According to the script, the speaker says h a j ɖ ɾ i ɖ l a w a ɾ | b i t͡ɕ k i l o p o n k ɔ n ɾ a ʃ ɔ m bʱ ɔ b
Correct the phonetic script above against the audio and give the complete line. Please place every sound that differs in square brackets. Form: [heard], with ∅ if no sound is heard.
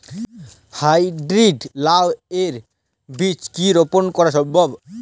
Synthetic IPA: h a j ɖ ɾ i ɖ l a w [e] ɾ | b i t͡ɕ k i [ɾ] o p o n k ɔ [∅] ɾ a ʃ ɔ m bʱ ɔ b